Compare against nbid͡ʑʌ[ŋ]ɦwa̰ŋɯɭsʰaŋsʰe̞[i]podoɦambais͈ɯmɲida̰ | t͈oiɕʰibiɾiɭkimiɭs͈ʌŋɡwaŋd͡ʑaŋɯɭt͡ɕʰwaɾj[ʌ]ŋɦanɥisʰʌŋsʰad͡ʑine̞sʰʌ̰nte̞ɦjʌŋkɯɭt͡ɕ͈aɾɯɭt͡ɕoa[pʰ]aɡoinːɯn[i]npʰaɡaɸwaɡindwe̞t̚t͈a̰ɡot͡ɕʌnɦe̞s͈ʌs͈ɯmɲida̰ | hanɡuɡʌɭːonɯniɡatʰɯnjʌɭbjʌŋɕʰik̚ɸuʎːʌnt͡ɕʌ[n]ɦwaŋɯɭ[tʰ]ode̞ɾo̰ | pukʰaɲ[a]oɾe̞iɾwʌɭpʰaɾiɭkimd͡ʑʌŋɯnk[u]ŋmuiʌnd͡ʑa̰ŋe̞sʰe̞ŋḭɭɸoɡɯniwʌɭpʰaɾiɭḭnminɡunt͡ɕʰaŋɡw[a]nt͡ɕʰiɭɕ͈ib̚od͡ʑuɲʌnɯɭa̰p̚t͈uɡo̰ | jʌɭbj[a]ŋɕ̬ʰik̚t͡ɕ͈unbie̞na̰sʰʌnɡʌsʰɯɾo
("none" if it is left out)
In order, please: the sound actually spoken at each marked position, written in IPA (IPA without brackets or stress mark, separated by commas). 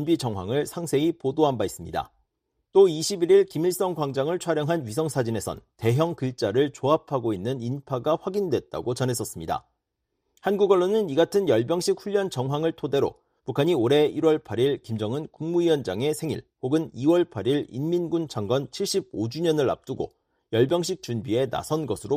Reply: ŋ, i, ʌ, pʰ, i, ŋ, tʰ, i, u, ʌ, ʌ